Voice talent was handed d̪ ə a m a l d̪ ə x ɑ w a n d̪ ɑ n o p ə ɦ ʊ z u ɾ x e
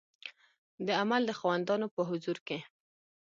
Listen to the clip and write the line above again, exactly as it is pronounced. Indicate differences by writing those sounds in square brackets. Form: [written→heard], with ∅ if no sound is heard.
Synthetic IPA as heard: d̪ ə a m a l d̪ ə x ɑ w a n d̪ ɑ n o p ə ɦ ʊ z u ɾ [x→k] e